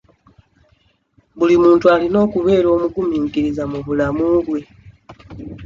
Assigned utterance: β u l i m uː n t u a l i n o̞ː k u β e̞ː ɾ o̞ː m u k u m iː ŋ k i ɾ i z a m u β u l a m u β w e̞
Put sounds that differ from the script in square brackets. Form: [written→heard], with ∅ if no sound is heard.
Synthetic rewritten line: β u l i m uː n t u a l i n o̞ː k u β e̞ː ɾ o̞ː m u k u m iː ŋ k i ɾ i z a m u β u l a m u β w e̞